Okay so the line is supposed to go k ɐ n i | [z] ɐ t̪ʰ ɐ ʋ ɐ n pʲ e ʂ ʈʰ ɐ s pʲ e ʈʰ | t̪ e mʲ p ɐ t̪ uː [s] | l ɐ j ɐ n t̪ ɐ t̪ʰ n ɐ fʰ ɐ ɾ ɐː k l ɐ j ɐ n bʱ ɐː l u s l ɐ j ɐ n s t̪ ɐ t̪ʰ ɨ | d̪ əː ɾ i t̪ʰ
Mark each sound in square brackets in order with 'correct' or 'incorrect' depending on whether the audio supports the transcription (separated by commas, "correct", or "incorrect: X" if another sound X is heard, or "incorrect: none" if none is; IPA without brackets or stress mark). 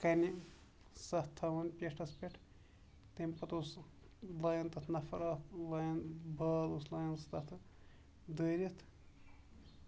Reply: incorrect: s, correct